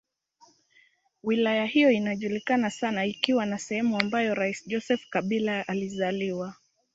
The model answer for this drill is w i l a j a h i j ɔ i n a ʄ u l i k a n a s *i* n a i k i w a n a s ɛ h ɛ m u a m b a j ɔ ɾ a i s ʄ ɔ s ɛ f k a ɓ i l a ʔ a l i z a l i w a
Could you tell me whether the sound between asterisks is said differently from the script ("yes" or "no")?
yes